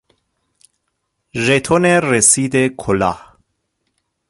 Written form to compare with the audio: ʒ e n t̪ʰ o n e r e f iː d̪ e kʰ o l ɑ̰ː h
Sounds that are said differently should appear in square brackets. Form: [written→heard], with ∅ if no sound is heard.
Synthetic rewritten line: ʒ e [n→∅] t̪ʰ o n e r e [f→s] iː d̪ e kʰ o l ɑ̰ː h